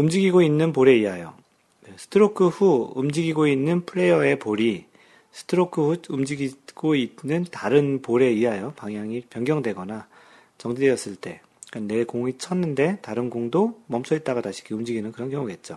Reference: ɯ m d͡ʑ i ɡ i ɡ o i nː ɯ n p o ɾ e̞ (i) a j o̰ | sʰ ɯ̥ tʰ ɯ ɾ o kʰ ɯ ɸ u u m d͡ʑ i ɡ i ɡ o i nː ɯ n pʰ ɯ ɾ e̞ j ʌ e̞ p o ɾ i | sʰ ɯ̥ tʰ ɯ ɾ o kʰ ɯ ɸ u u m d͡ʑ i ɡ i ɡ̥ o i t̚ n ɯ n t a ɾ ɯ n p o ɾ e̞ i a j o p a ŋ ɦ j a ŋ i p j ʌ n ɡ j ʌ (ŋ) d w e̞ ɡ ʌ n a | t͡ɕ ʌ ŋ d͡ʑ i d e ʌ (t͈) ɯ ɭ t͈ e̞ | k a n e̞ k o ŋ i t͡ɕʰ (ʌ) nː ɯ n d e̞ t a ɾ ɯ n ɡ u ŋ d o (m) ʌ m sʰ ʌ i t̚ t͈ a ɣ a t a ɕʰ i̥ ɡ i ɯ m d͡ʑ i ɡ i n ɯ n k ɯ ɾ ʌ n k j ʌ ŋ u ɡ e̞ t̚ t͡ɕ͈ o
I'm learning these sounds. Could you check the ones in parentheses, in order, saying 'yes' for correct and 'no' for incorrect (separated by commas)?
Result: yes, yes, no, yes, yes